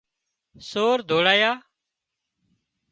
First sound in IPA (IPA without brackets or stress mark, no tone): s